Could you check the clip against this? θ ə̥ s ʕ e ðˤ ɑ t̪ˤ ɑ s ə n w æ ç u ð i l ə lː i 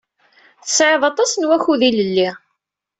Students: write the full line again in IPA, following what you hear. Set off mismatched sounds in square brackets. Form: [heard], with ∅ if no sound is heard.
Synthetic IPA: θ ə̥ s ʕ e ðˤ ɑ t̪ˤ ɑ s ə n w æ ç u ð i l ə lː i